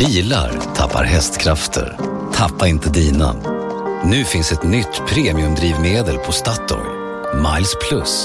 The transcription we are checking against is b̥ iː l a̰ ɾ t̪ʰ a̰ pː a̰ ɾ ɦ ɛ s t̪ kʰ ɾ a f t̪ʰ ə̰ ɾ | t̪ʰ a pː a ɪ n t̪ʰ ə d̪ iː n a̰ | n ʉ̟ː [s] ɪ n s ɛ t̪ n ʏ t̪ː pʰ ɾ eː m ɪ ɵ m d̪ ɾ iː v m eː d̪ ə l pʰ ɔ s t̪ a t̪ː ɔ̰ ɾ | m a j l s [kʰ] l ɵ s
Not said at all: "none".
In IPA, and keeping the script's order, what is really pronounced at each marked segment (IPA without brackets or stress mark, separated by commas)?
f, pʰ